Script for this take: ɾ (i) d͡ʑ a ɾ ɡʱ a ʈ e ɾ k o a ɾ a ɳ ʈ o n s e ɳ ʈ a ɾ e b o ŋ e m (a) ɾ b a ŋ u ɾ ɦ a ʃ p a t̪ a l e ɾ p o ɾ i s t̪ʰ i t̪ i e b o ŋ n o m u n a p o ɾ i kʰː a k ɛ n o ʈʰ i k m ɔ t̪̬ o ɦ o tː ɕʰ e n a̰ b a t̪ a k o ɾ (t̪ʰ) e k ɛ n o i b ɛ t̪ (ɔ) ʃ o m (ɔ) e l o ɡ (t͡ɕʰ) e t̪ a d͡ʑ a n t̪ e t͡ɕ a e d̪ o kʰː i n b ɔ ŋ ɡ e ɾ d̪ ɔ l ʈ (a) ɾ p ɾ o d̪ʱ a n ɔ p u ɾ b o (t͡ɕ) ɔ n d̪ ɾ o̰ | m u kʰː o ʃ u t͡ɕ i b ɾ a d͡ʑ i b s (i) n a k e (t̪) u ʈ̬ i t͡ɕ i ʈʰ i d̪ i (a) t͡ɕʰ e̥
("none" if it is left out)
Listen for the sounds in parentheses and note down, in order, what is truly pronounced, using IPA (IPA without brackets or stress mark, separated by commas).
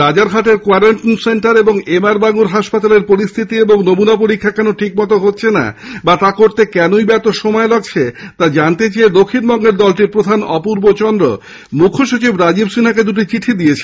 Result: a, a, t̪, o, ɔ, t͡ɕʰ, i, t͡ɕ, i, d̪, e